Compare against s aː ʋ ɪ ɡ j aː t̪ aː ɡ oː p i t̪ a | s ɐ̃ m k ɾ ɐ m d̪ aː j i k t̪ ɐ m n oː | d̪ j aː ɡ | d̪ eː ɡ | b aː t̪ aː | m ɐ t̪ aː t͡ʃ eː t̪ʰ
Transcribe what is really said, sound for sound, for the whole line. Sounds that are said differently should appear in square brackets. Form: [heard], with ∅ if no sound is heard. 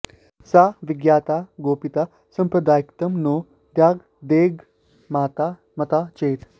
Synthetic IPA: s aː ʋ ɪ ɡ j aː t̪ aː ɡ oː p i t̪ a | s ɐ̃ m [p] ɾ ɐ [∅] d̪ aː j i k t̪ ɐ m n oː | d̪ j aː ɡ | d̪ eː ɡ | [m] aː t̪ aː | m ɐ t̪ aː t͡ʃ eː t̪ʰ